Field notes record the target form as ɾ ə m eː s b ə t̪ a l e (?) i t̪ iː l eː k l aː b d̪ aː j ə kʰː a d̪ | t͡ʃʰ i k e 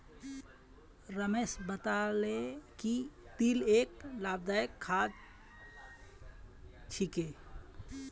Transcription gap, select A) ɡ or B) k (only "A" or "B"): B